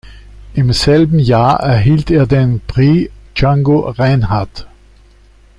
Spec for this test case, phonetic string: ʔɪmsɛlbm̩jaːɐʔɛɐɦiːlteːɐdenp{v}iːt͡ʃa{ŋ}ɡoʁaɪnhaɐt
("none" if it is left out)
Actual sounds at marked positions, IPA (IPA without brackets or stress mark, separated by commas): ʁ, ŋ